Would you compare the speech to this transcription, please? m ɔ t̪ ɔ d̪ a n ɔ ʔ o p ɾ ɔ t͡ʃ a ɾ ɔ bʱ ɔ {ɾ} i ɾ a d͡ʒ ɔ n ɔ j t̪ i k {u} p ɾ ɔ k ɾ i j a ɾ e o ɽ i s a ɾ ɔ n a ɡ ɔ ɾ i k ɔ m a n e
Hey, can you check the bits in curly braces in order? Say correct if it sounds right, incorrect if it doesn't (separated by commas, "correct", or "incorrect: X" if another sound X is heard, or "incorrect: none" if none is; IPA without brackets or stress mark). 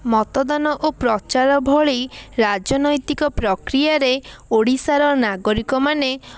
incorrect: ɭ, incorrect: ɔ